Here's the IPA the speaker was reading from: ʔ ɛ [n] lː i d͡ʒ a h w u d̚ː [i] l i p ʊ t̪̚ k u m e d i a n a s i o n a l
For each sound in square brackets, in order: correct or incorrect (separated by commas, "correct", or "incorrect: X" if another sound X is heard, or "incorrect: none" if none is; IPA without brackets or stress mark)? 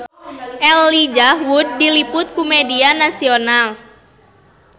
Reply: incorrect: none, correct